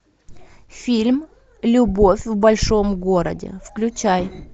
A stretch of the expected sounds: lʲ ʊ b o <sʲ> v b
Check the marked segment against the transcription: incorrect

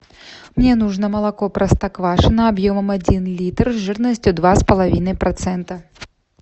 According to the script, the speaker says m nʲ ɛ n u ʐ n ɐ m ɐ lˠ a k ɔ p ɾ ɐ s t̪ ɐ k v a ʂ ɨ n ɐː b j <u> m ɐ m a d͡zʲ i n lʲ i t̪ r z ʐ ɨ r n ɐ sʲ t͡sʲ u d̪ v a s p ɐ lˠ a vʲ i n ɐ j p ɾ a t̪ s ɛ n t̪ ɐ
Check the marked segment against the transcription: incorrect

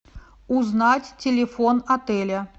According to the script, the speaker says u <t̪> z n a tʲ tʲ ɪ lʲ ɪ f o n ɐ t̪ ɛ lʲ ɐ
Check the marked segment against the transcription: incorrect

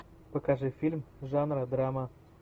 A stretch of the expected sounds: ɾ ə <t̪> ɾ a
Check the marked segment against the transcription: incorrect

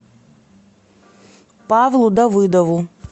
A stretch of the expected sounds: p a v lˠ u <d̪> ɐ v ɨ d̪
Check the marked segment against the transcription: correct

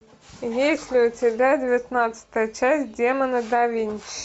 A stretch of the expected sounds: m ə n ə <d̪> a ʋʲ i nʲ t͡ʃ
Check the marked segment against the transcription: correct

